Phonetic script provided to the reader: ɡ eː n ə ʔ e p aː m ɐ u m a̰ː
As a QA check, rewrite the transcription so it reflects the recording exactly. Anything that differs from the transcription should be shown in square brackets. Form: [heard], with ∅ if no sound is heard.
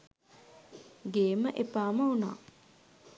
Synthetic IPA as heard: ɡ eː [m] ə ʔ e p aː m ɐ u [n] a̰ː